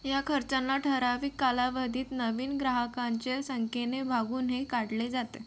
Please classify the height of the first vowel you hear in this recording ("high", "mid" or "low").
low